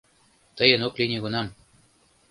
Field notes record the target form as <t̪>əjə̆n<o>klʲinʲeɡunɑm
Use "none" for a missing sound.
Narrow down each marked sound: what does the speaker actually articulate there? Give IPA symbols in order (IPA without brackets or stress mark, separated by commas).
t̪, o